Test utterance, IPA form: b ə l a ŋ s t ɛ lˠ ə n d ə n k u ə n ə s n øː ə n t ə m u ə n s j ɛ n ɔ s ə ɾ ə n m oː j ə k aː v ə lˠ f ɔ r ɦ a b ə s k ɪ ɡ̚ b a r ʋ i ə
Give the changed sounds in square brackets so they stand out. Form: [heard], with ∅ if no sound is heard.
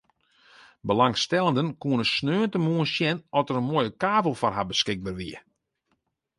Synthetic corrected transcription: b ə l a ŋ s t ɛ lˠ ə n d ə n k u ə n ə s n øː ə n t ə m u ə n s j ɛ n ɔ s ə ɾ ə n m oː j ə k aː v ə lˠ f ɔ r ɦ a b ə s k ɪ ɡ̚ b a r ʋ i ə